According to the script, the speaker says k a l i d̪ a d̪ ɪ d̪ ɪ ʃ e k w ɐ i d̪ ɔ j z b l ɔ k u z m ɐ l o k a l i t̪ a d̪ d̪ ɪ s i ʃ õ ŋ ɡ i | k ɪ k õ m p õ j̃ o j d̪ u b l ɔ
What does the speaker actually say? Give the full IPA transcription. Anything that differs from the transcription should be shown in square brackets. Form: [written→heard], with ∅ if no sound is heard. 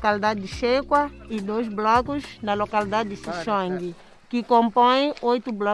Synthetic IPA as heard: k a l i d̪ a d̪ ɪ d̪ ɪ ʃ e k w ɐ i d̪ [ɔ→o] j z b l ɔ k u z [m→n] ɐ l o k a l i [t̪→d̪] a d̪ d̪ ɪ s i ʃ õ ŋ ɡ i | k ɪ k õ m p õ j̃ o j [d̪→t̪] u b l ɔ

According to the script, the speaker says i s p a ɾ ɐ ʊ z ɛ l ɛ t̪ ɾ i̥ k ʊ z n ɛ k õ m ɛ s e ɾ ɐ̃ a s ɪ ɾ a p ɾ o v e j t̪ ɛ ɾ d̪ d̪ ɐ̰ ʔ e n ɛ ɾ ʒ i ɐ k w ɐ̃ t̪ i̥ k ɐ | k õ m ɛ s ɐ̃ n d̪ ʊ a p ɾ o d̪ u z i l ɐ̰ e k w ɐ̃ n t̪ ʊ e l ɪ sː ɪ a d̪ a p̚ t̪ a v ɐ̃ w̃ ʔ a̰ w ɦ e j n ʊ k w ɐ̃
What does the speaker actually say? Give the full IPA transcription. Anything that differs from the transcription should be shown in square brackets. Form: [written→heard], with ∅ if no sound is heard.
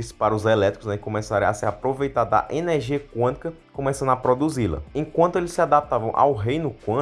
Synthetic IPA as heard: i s p a ɾ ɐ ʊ z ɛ l ɛ t̪ ɾ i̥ k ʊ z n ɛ k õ m ɛ s [e→a] ɾ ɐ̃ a s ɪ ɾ a p ɾ o v e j t̪ [ɛ→a] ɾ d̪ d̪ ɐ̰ ʔ e n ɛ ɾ ʒ i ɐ k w ɐ̃ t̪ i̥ k ɐ | k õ m ɛ s ɐ̃ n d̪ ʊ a p ɾ o d̪ u z i l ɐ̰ [e→ẽ] k w ɐ̃ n t̪ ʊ e l ɪ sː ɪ a d̪ a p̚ t̪ a v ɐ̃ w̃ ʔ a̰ w ɦ e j n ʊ k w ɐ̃

